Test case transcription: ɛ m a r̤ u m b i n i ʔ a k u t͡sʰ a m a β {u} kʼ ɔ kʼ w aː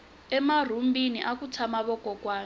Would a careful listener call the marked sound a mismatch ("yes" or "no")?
yes